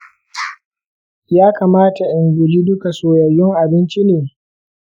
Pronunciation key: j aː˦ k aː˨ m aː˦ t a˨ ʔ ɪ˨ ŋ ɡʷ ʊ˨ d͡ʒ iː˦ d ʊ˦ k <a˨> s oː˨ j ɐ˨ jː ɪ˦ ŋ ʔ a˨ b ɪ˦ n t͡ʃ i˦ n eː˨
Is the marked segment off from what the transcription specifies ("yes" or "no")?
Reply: no